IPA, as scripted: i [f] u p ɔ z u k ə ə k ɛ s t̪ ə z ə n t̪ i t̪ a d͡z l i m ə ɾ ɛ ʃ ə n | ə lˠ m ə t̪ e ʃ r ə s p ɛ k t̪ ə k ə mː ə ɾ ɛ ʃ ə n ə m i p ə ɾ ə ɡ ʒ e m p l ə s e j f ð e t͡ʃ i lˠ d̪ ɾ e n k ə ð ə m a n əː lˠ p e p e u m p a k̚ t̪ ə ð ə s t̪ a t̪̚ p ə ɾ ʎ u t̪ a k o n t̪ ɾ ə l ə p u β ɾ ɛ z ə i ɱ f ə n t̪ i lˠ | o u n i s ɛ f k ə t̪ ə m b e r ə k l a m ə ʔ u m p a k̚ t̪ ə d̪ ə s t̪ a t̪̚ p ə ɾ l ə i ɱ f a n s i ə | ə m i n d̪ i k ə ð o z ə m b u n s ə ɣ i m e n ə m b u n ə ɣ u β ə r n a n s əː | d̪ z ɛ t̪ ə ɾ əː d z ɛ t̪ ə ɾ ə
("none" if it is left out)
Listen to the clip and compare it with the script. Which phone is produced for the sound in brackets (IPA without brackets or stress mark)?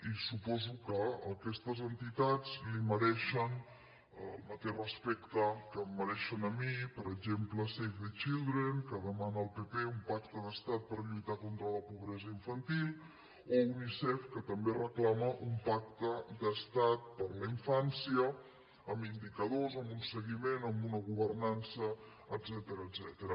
s